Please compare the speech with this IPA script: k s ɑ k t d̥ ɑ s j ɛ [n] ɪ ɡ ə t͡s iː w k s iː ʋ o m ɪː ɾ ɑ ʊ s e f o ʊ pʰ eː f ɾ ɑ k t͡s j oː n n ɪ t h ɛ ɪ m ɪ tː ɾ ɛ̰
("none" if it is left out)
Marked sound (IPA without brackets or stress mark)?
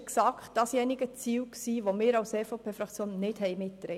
n